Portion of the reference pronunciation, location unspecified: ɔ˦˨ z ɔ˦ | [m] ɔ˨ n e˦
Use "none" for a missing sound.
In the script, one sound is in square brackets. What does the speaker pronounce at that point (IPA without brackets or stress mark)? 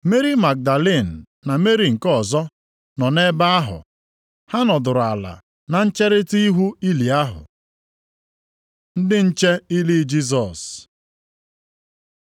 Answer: n